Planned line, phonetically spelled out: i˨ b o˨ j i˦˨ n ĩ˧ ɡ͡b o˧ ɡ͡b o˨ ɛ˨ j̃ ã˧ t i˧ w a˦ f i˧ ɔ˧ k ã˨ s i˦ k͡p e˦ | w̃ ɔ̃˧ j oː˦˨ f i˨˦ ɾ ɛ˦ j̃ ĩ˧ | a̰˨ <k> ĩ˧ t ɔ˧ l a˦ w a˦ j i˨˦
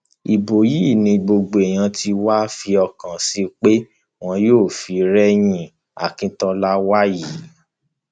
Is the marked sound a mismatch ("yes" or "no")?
no